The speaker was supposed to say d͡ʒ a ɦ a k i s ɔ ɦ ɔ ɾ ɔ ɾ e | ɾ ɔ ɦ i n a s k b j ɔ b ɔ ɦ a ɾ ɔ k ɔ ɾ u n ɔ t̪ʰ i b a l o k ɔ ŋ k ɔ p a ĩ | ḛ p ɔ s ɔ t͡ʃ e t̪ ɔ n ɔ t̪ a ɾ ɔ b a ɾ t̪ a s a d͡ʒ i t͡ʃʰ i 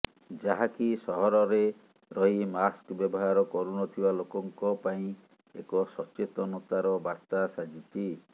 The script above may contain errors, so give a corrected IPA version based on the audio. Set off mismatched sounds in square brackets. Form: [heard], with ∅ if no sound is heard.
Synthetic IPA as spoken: d͡ʒ a ɦ a k i s ɔ ɦ ɔ ɾ ɔ ɾ e | ɾ ɔ ɦ i [m] a s k b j ɔ b ɔ ɦ a ɾ ɔ k ɔ ɾ u n ɔ t̪ʰ i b a l o k ɔ ŋ k ɔ p a ĩ | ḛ [k] ɔ s ɔ t͡ʃ e t̪ ɔ n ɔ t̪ a ɾ ɔ b a ɾ t̪ a s a d͡ʒ i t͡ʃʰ i